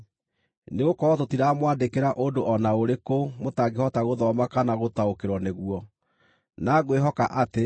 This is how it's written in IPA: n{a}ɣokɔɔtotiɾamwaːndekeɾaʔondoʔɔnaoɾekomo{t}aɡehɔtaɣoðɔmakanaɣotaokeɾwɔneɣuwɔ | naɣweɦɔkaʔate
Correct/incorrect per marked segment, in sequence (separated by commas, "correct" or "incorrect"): incorrect, correct